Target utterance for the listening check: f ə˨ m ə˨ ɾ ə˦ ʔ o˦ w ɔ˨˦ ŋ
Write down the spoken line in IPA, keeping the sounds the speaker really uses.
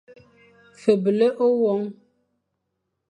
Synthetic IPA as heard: f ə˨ b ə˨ l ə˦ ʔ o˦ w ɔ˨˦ ŋ